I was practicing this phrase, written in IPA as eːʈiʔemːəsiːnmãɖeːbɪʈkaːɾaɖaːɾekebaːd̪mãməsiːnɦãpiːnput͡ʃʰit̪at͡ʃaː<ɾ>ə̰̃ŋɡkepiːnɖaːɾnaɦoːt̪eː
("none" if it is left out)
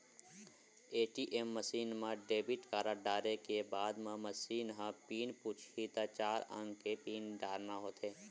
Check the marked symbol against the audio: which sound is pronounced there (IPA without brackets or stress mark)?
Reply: ɾ